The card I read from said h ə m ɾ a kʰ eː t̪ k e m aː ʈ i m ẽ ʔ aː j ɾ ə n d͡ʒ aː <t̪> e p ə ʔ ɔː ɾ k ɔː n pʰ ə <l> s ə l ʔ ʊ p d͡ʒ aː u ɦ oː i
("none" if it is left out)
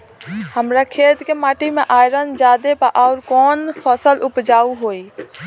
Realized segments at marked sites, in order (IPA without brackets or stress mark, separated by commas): d̪, none